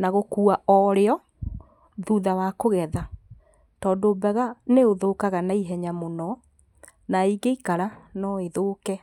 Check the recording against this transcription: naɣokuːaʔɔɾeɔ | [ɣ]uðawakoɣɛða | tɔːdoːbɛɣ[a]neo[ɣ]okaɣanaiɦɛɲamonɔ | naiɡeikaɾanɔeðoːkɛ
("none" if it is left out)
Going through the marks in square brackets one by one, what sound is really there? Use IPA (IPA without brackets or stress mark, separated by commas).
ð, a, ð